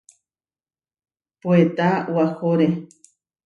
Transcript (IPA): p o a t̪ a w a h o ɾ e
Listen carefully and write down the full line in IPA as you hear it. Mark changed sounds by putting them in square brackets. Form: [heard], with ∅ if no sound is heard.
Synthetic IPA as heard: p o [e] t̪ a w a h o ɾ e